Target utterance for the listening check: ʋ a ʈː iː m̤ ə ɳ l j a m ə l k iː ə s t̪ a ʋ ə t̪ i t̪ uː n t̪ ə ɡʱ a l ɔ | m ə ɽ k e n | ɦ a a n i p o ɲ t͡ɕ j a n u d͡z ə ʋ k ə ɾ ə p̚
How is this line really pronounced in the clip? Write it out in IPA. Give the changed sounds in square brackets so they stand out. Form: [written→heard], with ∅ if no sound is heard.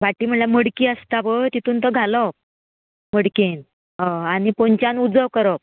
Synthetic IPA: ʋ a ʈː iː m̤ ə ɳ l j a m ə [l→ɽ] k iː ə s t̪ a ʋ ə t̪ i t̪ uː n t̪ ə ɡʱ a l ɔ | m ə ɽ k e n | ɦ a a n i p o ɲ t͡ɕ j a n u d͡z ə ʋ k ə ɾ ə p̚